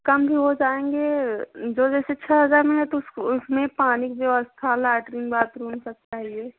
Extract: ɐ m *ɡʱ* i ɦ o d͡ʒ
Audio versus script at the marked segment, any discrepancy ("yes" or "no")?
yes